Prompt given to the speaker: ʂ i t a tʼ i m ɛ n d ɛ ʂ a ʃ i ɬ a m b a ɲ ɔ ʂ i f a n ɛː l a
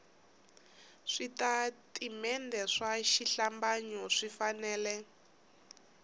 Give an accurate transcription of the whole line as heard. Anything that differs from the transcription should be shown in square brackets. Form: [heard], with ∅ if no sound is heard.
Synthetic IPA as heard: ʂ i t a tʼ i m ɛ n d ɛ ʂ a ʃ i ɬ a m b a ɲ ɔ ʂ i f a n ɛː l [ɛ]